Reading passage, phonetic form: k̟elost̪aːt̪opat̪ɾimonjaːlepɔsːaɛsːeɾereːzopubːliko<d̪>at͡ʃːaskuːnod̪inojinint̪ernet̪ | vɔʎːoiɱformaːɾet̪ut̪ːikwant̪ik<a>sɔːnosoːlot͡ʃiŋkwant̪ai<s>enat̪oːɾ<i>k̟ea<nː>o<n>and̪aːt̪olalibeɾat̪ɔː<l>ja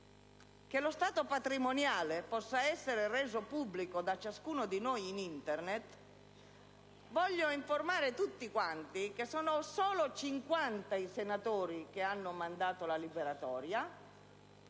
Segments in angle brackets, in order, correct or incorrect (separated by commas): correct, incorrect, correct, correct, correct, incorrect, incorrect